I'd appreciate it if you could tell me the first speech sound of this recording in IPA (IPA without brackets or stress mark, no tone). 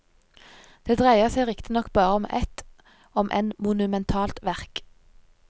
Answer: d̪̥